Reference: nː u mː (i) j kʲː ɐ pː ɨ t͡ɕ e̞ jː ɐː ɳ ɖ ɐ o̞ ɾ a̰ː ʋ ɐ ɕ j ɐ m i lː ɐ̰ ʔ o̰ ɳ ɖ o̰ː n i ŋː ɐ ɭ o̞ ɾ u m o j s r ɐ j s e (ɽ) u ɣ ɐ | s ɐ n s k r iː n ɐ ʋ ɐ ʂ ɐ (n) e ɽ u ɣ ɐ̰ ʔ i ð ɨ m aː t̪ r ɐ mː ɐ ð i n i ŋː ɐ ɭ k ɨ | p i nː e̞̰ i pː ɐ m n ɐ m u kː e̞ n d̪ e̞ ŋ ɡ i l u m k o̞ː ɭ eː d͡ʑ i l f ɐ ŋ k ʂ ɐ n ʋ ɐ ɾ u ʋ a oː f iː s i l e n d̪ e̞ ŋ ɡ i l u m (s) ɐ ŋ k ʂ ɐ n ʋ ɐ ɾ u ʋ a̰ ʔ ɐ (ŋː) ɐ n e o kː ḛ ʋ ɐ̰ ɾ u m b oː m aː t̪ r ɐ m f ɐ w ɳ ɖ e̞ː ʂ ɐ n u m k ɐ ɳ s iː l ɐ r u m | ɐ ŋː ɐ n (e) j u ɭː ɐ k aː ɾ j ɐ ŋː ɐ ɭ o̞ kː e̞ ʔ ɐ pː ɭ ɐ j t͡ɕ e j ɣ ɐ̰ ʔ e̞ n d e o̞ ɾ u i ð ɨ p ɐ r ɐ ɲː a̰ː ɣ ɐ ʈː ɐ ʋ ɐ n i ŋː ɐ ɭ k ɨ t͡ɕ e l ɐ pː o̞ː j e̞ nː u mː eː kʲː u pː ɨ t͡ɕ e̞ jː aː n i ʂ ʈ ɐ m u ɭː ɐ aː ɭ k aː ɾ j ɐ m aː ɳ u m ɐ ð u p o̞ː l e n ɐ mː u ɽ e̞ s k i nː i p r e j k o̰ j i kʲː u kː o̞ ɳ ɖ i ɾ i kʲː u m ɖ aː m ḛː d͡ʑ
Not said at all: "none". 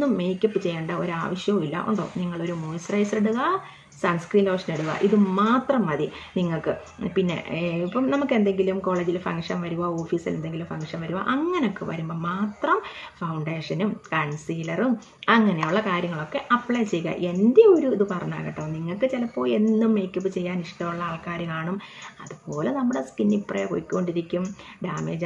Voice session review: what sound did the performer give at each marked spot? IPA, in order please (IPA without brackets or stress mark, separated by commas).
e, ɽ, n, f, ŋː, e